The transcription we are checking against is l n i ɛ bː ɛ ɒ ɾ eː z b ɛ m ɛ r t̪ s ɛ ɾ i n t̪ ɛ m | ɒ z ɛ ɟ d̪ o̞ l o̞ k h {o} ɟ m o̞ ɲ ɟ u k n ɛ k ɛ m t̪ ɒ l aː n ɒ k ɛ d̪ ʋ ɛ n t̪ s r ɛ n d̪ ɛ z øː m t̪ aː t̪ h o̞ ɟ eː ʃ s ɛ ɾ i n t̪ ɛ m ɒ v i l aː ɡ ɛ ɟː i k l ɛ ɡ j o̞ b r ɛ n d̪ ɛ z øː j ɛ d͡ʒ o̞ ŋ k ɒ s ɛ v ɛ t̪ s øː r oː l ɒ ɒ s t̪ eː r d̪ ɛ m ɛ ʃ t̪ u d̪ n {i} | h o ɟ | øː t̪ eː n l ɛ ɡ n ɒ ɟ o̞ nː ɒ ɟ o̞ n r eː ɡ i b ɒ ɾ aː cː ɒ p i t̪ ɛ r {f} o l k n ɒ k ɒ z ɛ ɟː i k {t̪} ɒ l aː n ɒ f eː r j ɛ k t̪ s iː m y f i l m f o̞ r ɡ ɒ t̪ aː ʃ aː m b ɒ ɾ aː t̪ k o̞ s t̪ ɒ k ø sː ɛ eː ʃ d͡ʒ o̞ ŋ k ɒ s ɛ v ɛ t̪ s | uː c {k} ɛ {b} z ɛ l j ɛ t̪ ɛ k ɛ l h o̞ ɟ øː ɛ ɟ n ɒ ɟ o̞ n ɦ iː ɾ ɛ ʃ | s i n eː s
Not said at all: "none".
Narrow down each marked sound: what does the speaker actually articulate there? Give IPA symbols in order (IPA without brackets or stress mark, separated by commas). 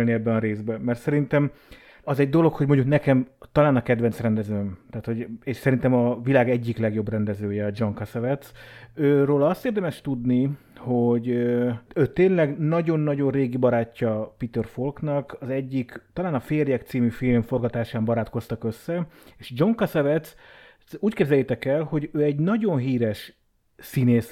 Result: o, i, f, t̪, k, b